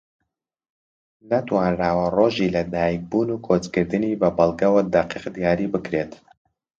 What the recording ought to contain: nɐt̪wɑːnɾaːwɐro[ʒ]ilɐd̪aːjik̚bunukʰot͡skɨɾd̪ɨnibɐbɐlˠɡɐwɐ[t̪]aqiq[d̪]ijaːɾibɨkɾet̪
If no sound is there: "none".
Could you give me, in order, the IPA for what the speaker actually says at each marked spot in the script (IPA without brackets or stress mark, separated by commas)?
ʒ, d̪, d̪